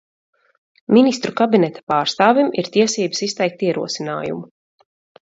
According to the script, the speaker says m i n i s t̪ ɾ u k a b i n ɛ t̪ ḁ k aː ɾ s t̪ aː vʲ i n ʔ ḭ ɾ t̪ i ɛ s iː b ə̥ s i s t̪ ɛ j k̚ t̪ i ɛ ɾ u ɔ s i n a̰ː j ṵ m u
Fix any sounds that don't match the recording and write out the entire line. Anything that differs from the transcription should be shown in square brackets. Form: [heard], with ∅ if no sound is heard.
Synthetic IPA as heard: m i n i s t̪ ɾ u k a b i n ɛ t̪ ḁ [p] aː ɾ s t̪ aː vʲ i [m] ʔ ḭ ɾ t̪ i ɛ s iː b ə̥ s i s t̪ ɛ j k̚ t̪ i ɛ ɾ u ɔ s i n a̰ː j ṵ m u